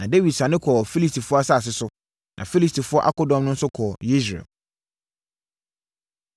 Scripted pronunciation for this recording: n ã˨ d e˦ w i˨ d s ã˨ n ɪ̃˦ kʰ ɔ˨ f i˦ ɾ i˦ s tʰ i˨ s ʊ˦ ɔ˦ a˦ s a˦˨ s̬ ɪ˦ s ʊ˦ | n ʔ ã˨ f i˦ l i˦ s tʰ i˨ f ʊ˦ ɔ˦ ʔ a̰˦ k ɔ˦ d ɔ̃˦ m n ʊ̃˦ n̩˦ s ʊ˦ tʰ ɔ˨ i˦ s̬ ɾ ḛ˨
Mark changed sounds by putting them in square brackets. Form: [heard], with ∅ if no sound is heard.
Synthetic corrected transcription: n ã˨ d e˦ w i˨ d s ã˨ n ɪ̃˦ kʰ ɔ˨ f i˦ [l] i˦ s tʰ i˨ [f] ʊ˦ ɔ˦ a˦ s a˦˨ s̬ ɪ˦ s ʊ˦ | n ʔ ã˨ f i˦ l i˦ s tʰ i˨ f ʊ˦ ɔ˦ ʔ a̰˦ k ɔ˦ d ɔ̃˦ m n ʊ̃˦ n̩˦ s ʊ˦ [kʰ] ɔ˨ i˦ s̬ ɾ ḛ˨